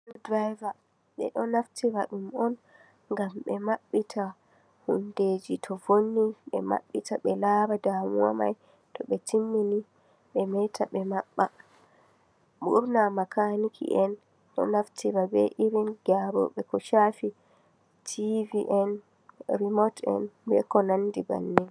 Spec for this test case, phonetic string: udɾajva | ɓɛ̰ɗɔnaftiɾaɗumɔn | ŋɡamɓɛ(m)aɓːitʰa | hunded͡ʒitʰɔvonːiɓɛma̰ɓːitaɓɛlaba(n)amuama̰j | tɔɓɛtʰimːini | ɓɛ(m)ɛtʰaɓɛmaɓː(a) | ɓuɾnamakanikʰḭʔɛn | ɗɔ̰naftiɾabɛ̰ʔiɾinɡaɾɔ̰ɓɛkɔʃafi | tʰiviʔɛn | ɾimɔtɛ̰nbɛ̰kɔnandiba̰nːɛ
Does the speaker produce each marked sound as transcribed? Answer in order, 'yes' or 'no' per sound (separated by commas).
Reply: yes, no, yes, yes